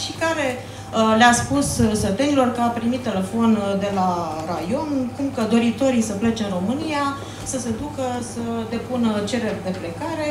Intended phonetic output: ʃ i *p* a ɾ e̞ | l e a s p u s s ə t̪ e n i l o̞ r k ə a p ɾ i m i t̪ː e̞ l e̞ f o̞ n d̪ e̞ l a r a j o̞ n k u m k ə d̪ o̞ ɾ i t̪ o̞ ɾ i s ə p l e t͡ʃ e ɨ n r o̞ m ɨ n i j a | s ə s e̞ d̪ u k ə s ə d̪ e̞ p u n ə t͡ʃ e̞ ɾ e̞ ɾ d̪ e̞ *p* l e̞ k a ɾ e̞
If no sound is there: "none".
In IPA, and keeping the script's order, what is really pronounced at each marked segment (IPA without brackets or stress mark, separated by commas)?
k, p